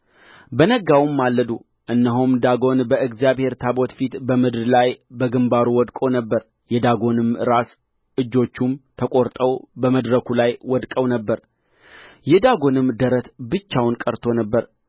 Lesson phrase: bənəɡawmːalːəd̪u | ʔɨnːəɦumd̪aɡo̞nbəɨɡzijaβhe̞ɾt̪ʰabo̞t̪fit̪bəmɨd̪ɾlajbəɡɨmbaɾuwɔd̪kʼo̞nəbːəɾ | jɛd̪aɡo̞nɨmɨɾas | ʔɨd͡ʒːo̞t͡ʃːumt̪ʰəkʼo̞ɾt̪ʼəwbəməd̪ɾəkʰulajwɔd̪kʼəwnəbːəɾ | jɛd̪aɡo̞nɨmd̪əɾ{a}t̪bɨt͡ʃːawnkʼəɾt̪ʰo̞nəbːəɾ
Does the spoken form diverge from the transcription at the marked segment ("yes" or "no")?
yes